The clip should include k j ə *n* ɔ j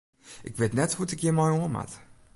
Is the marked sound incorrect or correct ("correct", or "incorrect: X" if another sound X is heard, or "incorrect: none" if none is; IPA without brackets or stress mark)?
incorrect: m